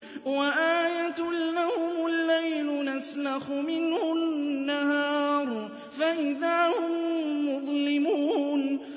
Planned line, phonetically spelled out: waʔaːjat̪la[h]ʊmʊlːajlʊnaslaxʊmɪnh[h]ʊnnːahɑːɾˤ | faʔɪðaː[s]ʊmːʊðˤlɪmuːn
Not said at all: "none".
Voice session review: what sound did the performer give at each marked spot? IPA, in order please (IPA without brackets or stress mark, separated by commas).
h, h, h